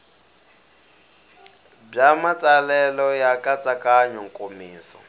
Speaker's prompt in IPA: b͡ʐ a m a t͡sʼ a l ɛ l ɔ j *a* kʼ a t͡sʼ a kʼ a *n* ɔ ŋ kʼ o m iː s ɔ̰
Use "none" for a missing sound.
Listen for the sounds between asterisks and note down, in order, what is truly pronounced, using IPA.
a, ɲ

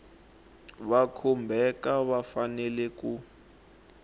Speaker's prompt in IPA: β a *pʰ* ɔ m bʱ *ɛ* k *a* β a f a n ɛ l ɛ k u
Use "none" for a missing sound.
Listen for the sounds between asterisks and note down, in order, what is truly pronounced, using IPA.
kʰ, ɛ, a

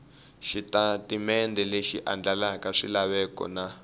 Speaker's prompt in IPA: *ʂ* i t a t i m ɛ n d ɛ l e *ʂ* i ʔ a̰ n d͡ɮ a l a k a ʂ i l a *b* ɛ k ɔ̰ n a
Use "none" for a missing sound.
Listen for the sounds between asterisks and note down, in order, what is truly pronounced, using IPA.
ʃ, ʃ, β

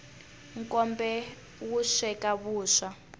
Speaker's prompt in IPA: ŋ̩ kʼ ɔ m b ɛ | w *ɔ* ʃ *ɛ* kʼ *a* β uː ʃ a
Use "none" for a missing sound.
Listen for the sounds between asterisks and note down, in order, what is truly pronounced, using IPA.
u, ɛ, a

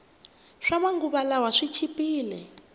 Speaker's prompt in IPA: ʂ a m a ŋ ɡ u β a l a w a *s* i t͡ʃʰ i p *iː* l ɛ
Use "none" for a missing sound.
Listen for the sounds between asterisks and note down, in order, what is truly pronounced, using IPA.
ʂ, iː

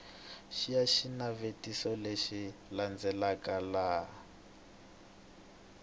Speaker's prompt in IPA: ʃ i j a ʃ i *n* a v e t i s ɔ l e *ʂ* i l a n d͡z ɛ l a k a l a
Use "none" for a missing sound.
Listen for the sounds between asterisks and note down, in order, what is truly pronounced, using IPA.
n, ʃ

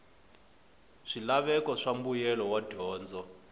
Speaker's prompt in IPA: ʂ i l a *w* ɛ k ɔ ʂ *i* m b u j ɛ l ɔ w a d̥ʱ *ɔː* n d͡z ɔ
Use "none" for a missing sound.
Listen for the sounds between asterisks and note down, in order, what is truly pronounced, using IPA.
β, a, ɔː

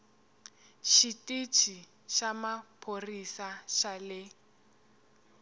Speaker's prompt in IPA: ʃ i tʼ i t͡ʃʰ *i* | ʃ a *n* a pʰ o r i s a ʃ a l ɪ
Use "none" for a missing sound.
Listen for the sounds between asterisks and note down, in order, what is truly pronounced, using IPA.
i, m

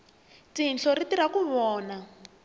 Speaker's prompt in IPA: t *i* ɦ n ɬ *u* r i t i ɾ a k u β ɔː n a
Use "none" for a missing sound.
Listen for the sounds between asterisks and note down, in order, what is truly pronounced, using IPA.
i, ɔ

